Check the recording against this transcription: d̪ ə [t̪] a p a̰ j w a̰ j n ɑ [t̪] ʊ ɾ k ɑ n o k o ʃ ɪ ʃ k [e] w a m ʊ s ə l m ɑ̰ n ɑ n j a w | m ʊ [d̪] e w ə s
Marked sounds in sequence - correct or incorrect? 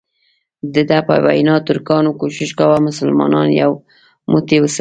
incorrect, correct, incorrect, incorrect

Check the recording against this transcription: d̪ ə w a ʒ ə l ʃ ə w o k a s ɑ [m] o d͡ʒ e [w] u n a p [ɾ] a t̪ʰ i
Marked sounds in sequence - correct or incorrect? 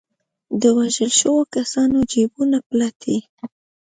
incorrect, incorrect, incorrect

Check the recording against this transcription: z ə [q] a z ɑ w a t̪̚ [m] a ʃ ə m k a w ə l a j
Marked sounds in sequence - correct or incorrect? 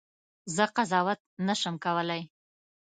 correct, incorrect

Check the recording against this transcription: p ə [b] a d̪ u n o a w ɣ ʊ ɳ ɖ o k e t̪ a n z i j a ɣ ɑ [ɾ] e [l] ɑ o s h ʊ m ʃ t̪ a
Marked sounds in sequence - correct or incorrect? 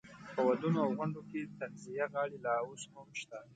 incorrect, incorrect, correct

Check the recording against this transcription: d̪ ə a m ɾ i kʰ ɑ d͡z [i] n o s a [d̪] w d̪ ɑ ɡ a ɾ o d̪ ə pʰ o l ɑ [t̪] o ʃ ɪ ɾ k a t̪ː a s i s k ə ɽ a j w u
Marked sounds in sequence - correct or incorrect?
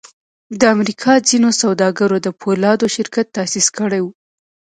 correct, incorrect, incorrect

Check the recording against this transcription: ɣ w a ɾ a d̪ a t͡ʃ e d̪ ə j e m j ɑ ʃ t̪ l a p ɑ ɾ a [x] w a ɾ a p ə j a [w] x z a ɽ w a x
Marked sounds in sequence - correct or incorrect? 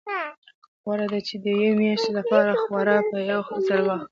correct, correct

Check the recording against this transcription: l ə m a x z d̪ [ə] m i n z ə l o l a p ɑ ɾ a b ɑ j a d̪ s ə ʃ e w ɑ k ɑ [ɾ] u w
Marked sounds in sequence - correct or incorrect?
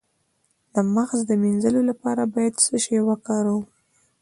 correct, correct

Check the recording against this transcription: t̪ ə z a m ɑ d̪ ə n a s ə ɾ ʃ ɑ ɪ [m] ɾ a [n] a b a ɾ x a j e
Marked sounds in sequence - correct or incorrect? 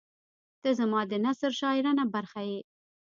incorrect, correct

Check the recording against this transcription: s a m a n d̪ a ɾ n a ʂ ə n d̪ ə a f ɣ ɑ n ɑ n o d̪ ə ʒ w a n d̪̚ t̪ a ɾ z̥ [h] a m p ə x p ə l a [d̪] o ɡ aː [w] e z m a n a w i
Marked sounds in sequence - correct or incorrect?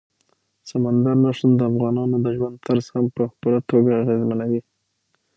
correct, incorrect, incorrect

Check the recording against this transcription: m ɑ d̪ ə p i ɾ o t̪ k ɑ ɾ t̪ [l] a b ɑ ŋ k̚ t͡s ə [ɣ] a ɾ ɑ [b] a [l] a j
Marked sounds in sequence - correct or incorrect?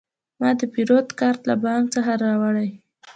correct, incorrect, incorrect, incorrect

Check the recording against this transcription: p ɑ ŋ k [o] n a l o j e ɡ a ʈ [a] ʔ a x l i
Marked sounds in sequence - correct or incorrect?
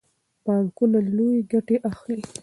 incorrect, incorrect

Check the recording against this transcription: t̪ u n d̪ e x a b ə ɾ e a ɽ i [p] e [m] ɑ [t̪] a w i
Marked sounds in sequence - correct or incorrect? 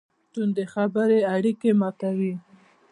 incorrect, correct, correct

